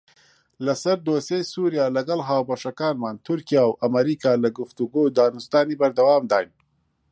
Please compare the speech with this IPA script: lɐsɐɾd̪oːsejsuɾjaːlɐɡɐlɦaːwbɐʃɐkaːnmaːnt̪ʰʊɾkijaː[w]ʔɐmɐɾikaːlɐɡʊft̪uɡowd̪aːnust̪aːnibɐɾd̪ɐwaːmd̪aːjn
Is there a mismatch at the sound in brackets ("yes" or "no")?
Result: no